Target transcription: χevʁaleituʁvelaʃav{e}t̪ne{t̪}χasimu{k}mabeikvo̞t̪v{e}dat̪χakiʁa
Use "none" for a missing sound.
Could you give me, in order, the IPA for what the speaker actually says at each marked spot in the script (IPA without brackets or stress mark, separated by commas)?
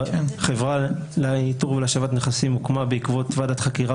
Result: a, none, k, a